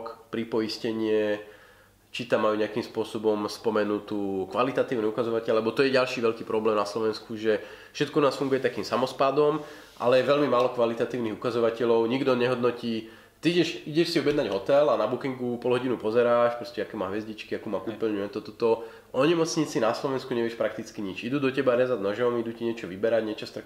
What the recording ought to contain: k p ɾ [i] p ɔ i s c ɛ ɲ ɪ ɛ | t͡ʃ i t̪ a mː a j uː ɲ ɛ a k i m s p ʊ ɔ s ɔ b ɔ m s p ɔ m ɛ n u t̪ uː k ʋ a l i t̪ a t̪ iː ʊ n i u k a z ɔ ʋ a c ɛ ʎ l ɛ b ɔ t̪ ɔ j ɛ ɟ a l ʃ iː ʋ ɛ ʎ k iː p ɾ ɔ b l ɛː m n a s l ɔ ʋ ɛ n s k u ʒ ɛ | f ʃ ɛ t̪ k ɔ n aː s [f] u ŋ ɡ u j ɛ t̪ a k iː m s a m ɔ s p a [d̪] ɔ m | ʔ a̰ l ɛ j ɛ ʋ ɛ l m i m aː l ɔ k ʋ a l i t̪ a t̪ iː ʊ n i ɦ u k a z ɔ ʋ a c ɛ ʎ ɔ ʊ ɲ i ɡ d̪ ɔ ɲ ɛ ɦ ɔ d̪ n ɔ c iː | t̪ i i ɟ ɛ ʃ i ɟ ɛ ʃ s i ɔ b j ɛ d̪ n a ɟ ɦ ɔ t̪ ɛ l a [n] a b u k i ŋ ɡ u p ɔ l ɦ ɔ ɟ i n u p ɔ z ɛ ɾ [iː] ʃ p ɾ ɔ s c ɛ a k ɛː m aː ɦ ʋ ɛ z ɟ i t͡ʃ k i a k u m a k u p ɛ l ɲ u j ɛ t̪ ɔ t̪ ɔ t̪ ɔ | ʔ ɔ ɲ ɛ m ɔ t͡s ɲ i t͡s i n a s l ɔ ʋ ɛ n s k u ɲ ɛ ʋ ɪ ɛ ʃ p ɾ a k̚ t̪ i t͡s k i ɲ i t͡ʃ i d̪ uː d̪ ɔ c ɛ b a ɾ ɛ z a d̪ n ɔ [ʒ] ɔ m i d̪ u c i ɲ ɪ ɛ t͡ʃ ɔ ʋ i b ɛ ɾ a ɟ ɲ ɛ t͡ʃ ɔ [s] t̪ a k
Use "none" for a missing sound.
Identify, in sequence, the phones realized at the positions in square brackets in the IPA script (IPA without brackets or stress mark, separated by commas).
i, f, d̪, n, aː, ʒ, s